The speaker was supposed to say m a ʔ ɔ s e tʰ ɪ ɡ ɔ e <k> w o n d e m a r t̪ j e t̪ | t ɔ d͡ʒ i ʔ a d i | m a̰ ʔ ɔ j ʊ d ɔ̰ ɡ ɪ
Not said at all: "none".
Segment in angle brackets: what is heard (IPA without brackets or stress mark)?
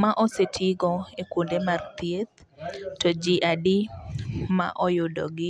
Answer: k